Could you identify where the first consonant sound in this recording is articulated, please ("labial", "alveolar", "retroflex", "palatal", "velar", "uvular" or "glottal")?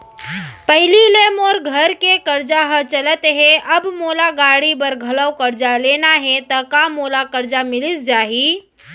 labial